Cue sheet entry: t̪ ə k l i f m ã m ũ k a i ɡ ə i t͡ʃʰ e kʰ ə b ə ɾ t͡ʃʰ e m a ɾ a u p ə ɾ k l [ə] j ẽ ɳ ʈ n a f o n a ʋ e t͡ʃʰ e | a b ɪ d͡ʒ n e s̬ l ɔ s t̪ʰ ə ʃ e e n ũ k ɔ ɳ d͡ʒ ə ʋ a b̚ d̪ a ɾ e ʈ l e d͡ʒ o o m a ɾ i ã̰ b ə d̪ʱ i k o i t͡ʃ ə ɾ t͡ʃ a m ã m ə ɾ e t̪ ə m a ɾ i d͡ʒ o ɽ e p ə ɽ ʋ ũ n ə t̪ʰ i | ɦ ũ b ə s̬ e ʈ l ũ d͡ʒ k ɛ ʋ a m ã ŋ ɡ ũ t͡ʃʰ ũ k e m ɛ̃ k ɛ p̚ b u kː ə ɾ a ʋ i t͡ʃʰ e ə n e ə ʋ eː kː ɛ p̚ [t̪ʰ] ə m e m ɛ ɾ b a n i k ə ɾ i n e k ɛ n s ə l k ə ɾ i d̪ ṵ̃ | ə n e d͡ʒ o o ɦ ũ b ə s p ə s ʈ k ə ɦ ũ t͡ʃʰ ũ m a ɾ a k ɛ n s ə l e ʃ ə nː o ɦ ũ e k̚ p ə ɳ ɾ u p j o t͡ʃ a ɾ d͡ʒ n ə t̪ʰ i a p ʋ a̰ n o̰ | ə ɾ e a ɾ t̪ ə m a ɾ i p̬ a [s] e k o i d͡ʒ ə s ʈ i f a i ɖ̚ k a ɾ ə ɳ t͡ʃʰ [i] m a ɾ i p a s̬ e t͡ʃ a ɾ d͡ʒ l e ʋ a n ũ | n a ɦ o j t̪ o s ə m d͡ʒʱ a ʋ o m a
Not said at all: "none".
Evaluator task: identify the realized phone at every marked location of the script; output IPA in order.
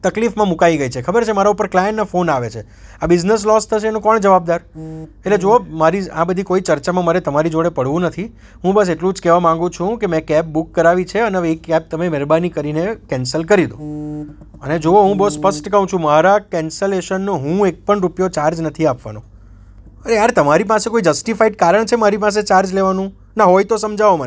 a, t̪, s, e

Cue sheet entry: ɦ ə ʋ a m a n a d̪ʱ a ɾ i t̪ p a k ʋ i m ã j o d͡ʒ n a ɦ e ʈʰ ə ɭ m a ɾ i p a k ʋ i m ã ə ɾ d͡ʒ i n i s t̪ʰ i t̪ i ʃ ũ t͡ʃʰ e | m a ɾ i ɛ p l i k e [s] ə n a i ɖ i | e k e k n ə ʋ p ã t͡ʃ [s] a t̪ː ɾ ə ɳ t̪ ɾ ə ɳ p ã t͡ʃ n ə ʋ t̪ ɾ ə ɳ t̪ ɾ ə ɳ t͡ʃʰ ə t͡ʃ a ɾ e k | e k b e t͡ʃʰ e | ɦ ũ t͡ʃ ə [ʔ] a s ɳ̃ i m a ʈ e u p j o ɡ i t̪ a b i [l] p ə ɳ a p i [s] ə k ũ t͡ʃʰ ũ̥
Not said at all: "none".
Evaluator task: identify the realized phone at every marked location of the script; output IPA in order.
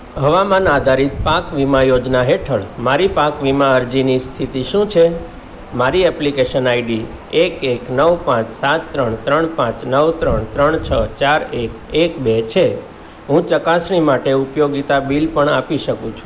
ʃ, s, k, l, ʃ

